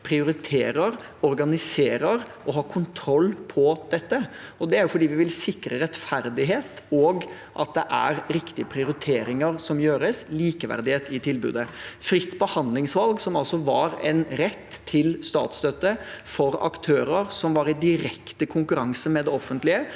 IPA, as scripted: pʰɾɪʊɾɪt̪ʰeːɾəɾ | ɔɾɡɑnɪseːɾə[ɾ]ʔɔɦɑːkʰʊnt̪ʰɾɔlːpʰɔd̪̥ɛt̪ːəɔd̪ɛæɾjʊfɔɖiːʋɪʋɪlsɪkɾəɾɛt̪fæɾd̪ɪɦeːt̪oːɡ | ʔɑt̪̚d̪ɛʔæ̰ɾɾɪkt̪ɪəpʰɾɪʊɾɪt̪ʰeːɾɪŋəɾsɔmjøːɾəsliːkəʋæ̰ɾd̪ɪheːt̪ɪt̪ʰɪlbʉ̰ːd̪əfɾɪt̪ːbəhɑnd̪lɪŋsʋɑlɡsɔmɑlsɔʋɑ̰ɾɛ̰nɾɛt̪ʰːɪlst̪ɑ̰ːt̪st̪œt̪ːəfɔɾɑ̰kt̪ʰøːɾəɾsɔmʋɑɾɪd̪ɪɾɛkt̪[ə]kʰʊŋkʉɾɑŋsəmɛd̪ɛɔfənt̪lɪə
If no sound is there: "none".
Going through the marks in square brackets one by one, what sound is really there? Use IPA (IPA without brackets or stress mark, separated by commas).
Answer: ɾ, ə